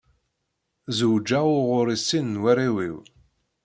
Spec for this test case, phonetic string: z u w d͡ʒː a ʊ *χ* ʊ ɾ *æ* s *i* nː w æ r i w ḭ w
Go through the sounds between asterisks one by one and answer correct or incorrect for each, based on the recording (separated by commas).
incorrect, incorrect, correct